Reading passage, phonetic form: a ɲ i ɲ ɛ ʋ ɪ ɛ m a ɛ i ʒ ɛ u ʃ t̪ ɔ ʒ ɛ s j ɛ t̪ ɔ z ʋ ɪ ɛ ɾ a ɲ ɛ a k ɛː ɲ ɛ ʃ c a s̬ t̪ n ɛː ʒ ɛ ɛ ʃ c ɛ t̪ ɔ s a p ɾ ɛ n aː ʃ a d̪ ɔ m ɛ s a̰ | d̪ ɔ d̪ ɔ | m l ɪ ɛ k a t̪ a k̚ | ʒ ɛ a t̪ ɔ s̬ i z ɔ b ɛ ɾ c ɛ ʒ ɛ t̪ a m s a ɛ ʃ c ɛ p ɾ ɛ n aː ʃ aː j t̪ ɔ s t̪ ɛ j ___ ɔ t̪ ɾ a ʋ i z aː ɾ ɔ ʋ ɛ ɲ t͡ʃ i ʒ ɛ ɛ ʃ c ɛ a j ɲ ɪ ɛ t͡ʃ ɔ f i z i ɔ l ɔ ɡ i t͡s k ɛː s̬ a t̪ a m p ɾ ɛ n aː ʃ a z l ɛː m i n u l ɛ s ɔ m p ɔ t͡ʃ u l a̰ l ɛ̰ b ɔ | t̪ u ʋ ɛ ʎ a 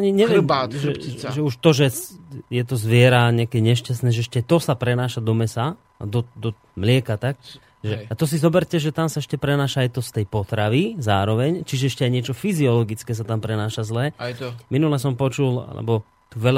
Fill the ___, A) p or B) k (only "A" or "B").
A